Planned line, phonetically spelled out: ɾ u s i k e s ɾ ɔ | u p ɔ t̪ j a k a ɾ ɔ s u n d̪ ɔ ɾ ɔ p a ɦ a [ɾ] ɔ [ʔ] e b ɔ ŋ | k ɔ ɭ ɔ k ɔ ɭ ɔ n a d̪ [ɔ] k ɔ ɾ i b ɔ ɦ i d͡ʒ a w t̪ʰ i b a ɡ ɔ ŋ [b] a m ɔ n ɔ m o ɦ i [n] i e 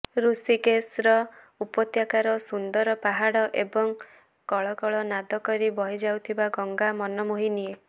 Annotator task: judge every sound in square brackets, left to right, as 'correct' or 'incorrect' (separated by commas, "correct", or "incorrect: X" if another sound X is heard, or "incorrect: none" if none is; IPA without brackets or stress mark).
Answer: incorrect: ɽ, correct, correct, incorrect: ɡ, correct